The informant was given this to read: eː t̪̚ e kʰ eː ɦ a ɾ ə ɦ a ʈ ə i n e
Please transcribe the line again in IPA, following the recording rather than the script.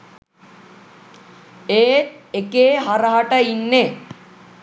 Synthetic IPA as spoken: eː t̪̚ e k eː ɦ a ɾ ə ɦ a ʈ ə i nː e